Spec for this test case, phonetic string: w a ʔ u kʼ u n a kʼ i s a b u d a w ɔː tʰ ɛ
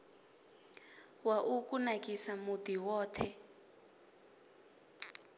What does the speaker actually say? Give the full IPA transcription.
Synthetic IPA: w a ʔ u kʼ u n a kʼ i s a m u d i w ɔː tʰ ɛ